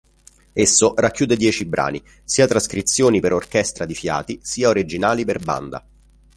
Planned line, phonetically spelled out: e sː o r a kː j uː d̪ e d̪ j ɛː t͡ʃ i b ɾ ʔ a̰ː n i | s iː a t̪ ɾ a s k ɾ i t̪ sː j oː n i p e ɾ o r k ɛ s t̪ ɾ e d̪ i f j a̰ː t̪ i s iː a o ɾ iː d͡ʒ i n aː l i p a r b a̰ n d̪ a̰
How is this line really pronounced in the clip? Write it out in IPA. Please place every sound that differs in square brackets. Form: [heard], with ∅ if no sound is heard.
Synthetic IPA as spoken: e sː o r a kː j uː d̪ e d̪ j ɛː t͡ʃ i b ɾ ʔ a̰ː n i | s iː a t̪ ɾ a s k ɾ i t̪ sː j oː n i p e ɾ o r k ɛ s t̪ ɾ [a] d̪ i f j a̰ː t̪ i s iː a o ɾ [i] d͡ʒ i n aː l i p [e] r b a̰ n d̪ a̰